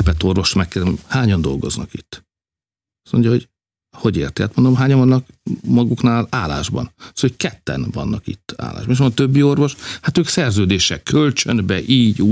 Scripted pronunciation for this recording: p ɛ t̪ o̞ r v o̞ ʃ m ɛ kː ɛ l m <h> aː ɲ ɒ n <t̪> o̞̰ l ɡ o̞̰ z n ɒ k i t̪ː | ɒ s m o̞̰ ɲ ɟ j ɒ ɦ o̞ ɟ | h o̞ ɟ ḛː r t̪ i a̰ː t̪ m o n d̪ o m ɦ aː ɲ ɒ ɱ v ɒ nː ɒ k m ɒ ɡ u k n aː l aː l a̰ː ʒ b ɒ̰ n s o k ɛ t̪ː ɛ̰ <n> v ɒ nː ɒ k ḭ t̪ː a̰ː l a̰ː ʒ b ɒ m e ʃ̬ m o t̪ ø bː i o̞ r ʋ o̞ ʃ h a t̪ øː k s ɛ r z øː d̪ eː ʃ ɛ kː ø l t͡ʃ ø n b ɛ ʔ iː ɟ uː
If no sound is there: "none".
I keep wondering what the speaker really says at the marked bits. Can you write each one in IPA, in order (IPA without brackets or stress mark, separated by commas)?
h, d̪, n